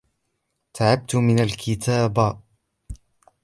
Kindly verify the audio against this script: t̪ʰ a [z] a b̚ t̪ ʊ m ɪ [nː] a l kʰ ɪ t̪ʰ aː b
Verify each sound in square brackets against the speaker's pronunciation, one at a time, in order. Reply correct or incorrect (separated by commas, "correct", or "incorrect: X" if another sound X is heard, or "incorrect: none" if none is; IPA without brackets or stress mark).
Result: incorrect: ʕ, incorrect: n